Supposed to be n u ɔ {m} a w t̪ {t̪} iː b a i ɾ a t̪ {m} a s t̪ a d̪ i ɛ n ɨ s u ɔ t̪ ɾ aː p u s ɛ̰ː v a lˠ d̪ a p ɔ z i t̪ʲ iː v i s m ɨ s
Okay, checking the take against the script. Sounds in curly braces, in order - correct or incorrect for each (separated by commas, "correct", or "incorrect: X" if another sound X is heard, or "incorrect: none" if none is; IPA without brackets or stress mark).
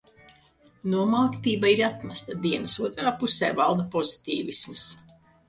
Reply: correct, correct, correct